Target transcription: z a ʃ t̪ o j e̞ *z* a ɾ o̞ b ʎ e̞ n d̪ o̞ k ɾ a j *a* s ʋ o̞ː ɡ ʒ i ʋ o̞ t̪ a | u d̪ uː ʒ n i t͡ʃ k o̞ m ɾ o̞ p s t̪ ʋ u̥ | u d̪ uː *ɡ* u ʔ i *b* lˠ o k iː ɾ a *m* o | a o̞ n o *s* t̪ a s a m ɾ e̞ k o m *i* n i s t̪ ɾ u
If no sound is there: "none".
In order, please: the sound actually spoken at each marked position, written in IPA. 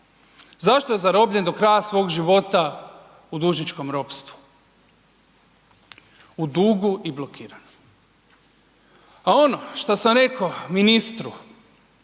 z, a, ɡ, b, n, ʃ, i

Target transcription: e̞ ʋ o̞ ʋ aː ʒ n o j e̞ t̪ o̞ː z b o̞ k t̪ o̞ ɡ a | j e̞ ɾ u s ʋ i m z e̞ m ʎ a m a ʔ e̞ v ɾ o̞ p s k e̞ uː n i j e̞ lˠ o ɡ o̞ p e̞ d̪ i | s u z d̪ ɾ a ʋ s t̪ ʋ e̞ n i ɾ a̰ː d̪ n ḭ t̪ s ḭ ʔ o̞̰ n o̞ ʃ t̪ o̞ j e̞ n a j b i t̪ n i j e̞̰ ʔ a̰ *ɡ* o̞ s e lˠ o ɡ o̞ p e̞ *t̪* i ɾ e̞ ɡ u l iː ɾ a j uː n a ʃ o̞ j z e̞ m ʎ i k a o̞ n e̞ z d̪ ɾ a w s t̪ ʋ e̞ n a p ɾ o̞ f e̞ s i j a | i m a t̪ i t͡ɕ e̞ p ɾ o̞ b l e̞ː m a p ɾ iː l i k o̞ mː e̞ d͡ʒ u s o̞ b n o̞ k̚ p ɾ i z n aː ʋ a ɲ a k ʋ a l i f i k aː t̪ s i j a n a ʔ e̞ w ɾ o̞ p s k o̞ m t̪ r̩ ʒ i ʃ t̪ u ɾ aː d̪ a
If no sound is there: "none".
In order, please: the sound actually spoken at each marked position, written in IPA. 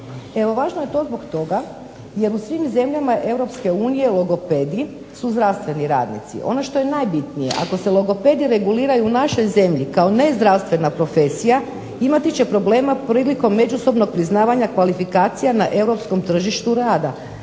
k, d̪

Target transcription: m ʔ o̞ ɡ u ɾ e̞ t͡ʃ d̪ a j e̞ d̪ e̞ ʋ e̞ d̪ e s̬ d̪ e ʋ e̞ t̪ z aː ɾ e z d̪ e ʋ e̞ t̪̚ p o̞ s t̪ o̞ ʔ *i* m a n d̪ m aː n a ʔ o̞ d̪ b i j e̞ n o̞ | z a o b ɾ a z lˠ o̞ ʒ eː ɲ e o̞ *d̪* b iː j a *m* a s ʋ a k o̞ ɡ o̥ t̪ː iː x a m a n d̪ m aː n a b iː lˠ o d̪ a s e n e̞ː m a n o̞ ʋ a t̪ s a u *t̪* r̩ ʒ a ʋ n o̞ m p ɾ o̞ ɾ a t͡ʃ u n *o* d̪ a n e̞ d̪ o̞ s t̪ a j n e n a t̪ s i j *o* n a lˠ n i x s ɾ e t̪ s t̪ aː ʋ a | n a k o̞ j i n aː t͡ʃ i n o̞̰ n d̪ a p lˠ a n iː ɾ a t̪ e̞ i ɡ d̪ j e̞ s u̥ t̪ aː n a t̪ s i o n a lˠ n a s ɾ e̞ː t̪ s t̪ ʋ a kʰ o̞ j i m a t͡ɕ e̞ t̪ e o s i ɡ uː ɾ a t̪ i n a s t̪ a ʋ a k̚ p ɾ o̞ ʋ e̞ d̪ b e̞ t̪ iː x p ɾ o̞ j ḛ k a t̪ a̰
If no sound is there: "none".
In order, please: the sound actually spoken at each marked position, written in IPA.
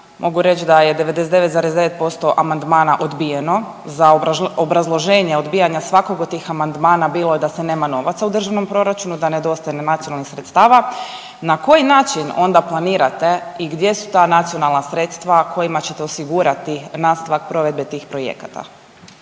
a, d̪, ɲ, d̪, u, o

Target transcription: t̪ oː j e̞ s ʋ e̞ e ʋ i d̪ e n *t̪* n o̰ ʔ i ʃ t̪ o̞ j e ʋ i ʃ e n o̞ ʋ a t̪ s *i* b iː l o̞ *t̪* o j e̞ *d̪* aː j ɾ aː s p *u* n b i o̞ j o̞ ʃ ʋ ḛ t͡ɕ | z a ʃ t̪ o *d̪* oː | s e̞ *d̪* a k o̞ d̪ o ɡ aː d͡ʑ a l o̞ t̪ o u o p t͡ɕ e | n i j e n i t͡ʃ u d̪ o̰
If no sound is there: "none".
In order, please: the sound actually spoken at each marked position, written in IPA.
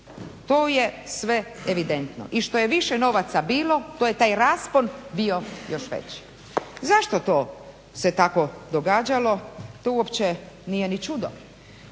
t̪, a, t̪, t̪, o, t̪, t̪

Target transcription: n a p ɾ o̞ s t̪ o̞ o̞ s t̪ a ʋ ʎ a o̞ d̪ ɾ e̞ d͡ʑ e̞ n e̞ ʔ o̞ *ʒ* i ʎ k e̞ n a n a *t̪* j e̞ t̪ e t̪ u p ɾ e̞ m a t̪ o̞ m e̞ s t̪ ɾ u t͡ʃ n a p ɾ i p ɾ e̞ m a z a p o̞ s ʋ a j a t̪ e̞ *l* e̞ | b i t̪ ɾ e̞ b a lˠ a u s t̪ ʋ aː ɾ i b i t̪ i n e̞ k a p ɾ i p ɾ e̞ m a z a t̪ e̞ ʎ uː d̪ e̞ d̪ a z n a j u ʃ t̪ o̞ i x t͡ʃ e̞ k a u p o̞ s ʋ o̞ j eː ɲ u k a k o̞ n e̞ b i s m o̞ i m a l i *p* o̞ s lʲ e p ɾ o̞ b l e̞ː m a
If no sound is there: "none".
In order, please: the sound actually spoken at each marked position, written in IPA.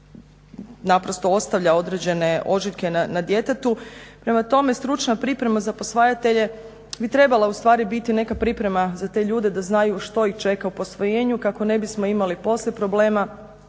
ʒ, d̪, ʎ, p

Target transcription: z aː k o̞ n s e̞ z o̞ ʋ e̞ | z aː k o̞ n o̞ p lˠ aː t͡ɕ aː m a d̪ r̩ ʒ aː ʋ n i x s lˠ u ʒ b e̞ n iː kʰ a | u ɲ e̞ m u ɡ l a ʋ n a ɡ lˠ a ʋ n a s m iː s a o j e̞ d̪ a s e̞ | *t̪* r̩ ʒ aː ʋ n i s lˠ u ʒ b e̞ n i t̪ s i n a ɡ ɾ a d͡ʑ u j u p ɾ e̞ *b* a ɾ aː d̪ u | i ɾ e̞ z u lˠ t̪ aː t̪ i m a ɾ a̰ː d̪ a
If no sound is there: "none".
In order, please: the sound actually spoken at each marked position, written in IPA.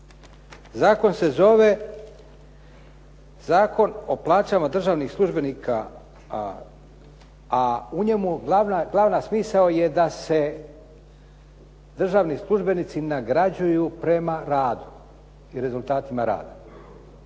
d̪, m

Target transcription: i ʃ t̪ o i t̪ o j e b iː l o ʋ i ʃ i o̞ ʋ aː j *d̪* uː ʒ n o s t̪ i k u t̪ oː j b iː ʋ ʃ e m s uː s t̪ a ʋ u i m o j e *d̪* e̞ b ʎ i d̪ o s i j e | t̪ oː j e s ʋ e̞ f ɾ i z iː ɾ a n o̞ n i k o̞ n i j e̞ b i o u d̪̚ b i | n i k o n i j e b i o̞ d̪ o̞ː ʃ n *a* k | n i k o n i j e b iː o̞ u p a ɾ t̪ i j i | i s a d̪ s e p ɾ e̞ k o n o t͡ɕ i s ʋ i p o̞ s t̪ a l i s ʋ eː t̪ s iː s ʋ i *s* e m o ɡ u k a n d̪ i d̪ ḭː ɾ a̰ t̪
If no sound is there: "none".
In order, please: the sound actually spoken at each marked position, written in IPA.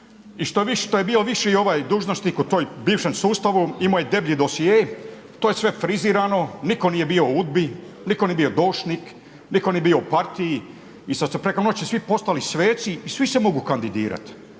d̪, d̪, i, s

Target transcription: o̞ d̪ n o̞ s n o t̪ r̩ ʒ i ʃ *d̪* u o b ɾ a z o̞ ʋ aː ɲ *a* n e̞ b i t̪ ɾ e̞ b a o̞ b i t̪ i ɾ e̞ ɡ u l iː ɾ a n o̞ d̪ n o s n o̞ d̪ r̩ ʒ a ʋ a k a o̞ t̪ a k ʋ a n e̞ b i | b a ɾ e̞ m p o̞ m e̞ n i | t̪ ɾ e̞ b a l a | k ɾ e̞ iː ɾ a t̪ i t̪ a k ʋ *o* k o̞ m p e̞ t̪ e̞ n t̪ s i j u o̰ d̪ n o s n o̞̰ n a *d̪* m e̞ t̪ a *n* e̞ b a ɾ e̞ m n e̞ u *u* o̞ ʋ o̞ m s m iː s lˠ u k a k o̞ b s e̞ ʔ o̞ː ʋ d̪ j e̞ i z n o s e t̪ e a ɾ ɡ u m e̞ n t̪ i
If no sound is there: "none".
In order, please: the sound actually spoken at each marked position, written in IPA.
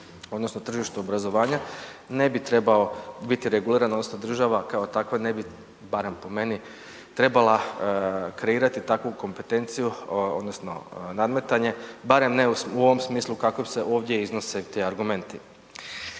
t̪, a, u, d̪, ɲ, u

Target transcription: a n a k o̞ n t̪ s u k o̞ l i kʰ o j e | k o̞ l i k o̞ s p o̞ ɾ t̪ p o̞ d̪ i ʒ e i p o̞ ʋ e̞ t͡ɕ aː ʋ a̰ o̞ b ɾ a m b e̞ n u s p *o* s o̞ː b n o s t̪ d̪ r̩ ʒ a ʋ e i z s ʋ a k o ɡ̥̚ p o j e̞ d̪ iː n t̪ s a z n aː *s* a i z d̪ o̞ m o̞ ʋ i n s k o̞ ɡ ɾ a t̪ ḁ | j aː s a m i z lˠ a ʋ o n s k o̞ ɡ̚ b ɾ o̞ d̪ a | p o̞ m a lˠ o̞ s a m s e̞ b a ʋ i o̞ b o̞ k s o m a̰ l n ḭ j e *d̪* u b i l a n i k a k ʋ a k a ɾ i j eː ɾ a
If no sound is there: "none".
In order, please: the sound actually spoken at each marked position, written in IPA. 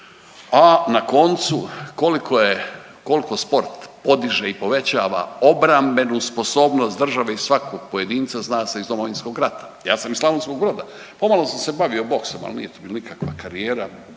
o, s, t̪

